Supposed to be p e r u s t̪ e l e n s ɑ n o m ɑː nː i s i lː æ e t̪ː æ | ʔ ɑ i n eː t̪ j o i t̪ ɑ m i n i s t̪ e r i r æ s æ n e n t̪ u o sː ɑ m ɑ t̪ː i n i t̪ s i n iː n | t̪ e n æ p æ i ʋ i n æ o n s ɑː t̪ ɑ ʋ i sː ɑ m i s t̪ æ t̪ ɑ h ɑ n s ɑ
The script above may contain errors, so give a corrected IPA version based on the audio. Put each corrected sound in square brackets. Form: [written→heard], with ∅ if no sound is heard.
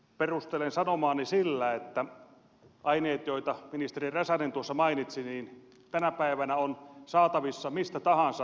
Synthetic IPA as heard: p e r u s t̪ e l e n s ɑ n o m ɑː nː i s i lː æ e t̪ː æ | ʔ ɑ i n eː t̪ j o i t̪ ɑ m i n i s t̪ e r i r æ s æ n e n t̪ u o sː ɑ m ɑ [t̪ː→∅] i n i t̪ s i n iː n | t̪ [e→æ] n æ p æ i ʋ [i→æ] n æ o n s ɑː t̪ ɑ ʋ i sː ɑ m i s t̪ æ t̪ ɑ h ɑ n s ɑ

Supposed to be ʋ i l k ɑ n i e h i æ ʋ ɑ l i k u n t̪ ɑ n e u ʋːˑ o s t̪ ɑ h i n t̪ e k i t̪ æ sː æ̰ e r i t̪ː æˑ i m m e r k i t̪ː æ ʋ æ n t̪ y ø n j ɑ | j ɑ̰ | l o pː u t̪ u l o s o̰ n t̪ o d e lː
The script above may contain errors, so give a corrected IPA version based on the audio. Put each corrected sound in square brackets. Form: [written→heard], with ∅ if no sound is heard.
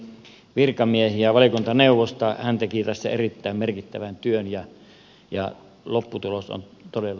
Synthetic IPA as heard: ʋ i [l→r] k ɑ [n→m] i e h i æ ʋ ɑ l i k u n t̪ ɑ n e u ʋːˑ o s t̪ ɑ h [i→æ] n t̪ e k i t̪ æ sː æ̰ e r i t̪ː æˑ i m m e r k i t̪ː æ ʋ æ n t̪ y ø n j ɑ | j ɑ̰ | l o pː u t̪ u l o s o̰ n t̪ o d e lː

